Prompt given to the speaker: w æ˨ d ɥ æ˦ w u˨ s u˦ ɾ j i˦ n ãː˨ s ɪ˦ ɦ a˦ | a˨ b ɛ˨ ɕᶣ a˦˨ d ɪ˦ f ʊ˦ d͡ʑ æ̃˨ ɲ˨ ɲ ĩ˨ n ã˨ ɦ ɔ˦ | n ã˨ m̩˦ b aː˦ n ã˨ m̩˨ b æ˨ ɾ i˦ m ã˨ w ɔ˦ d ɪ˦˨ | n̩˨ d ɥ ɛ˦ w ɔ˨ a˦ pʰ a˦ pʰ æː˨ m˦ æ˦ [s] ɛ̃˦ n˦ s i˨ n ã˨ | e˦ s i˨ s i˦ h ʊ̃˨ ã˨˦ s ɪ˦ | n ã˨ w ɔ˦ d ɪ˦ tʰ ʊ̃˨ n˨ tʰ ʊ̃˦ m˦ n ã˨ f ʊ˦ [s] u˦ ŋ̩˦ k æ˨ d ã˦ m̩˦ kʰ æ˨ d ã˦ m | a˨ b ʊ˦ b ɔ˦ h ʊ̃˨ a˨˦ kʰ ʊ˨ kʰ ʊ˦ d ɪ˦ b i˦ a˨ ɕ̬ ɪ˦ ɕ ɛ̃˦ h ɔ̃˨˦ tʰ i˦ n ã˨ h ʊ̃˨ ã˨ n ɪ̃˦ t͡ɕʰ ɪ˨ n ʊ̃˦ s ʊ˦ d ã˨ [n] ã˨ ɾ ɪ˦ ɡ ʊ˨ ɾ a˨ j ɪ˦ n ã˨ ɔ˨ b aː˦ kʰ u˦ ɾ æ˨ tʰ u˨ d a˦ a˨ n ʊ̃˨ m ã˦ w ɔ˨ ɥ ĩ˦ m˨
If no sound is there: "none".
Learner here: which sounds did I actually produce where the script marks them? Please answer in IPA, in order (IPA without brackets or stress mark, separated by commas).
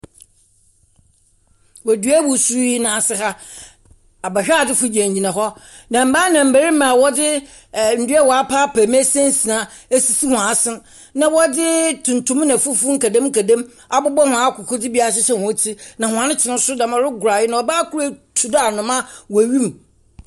s, f, m